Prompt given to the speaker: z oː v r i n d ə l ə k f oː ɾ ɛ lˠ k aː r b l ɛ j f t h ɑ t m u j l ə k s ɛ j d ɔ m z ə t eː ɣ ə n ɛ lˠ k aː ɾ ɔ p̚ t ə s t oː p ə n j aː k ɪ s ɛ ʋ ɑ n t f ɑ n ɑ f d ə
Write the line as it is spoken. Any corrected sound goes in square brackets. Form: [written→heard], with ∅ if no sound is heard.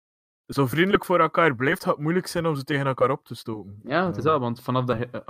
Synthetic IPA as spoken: z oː v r i n d ə l ə k f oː ɾ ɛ lˠ k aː r b l ɛ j f t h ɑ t m u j l ə k s ɛ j [d→n] ɔ m z ə t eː ɣ ə n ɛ lˠ k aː ɾ ɔ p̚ t ə s t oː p ə n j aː [k→t] ɪ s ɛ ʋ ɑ n t f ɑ n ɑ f d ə